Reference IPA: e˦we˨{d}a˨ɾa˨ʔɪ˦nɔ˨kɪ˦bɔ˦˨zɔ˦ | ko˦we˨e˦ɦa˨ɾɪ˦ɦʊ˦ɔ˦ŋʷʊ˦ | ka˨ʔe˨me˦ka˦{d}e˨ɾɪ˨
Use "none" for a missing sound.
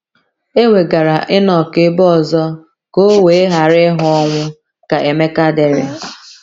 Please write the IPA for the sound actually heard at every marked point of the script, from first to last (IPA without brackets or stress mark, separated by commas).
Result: ɡ, d